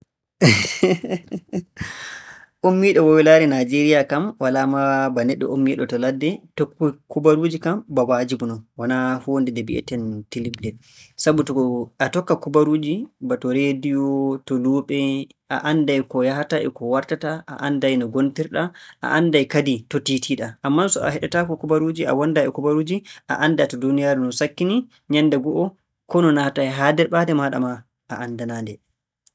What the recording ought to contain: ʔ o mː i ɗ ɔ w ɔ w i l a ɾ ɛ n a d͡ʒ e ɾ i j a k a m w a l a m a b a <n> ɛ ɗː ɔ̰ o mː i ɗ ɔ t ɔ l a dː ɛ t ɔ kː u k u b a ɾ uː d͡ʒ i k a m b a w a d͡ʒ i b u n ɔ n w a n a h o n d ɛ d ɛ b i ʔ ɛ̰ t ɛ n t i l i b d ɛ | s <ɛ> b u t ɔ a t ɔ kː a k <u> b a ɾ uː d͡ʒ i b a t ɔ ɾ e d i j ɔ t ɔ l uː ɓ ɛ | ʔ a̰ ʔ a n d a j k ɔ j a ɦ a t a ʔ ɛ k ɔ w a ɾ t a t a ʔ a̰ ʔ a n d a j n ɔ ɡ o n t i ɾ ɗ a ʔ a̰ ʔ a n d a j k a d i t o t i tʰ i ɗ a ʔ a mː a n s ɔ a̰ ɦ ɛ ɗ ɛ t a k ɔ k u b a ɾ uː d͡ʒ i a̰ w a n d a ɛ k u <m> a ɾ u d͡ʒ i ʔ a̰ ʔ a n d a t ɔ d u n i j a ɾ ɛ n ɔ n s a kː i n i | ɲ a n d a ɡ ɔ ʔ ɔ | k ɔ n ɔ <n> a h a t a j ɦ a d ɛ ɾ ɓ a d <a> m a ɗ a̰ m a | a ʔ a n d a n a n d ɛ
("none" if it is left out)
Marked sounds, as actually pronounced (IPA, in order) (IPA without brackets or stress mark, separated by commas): n, a, u, b, n, ɛ